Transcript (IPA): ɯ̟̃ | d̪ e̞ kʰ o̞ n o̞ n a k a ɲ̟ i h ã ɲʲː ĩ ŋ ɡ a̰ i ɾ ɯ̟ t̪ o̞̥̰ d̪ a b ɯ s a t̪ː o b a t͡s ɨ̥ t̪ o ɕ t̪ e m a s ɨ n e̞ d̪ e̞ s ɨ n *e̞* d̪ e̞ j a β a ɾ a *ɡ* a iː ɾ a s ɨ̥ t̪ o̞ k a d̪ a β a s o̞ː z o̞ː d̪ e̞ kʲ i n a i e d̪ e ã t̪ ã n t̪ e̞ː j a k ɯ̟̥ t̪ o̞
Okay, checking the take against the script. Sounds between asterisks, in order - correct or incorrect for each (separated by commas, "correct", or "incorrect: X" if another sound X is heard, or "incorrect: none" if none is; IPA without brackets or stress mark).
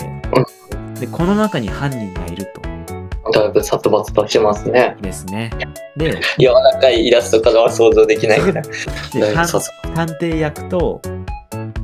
correct, incorrect: k